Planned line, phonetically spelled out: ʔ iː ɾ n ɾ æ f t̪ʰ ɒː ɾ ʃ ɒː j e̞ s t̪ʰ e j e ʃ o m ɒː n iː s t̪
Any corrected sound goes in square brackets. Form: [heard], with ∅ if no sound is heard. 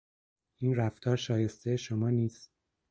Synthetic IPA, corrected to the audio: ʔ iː [∅] n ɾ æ f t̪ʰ ɒː ɾ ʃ ɒː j e̞ s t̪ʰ e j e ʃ o m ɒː n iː s t̪